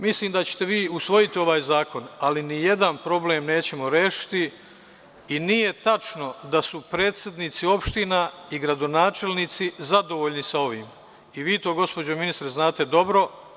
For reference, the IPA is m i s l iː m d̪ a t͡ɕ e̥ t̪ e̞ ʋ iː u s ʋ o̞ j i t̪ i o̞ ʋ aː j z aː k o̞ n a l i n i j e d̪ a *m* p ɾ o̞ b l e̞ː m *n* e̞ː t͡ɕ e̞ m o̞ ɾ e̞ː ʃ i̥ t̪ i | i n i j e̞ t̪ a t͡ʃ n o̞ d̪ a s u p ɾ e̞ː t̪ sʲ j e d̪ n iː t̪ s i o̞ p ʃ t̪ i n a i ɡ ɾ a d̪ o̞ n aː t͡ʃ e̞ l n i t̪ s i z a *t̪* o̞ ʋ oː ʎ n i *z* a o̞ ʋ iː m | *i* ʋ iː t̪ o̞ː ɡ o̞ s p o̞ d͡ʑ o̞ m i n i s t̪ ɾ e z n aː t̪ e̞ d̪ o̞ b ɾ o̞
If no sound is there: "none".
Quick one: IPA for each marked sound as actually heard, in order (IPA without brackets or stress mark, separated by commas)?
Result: n, n, d̪, s, i